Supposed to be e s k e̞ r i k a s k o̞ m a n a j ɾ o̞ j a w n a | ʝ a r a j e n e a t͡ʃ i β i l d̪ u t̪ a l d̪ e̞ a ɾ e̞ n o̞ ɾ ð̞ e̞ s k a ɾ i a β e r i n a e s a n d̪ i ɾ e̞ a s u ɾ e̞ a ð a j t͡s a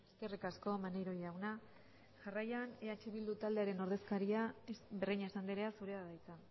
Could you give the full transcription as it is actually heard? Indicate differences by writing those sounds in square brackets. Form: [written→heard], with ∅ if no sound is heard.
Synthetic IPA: e s k e̞ r i k a s k o̞ m a n [a→e] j ɾ o̞ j a w n a | ʝ a r a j [e→a] n e a t͡ʃ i β i l d̪ u t̪ a l d̪ e̞ a ɾ e̞ n o̞ ɾ ð̞ e̞ s k a ɾ i a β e r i [n→ɲ] a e s a n d̪ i ɾ e̞ a s u ɾ e̞ a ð a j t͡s a